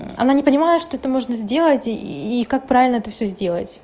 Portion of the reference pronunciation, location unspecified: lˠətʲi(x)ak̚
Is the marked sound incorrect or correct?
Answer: incorrect: k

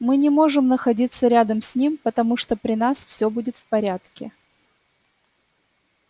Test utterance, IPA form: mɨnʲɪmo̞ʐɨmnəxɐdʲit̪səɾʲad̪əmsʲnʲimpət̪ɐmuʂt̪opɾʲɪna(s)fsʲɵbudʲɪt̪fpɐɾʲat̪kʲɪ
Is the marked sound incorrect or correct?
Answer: correct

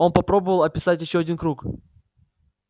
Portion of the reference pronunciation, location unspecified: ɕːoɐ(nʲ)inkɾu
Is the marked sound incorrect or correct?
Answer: incorrect: dʲ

